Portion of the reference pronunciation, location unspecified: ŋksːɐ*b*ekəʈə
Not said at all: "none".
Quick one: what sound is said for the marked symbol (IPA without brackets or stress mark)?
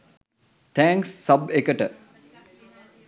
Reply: b